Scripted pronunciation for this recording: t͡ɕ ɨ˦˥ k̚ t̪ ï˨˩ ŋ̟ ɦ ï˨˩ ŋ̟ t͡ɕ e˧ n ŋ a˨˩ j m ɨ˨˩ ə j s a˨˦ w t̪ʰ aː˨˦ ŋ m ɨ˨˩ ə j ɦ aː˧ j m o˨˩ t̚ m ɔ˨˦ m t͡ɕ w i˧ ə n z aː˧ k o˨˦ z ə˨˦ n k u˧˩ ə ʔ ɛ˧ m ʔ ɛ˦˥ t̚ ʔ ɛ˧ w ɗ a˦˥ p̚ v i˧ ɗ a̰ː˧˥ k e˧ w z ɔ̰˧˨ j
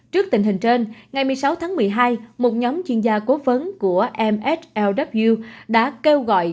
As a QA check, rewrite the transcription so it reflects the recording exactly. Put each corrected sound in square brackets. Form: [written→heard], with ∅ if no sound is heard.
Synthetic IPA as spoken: t͡ɕ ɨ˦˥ k̚ t̪ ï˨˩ ŋ̟ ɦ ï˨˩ ŋ̟ t͡ɕ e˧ n ŋ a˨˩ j m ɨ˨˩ ə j s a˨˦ w t̪ʰ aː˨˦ ŋ m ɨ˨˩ ə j ɦ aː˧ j m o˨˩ t̚ [m→ɲ] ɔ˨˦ m t͡ɕ w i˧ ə n z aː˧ k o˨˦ [z→v] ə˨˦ n k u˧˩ ə ʔ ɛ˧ m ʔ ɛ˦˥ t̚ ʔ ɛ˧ w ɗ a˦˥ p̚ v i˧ ɗ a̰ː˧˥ k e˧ w [z→ɣ] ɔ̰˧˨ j